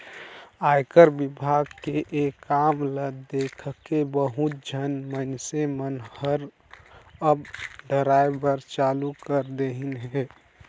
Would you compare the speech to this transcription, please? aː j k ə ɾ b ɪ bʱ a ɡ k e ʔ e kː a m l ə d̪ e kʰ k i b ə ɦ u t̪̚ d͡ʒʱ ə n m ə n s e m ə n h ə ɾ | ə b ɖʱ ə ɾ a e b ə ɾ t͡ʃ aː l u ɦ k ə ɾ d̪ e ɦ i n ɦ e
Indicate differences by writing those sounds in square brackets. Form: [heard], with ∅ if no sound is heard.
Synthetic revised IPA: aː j k ə ɾ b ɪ bʱ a ɡ k e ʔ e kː a m l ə d̪ e kʰ k [e] b ə ɦ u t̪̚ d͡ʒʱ ə n m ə n s e m ə n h ə ɾ | ə b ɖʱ ə ɾ a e b ə ɾ t͡ʃ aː l u [∅] k ə ɾ d̪ e ɦ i n ɦ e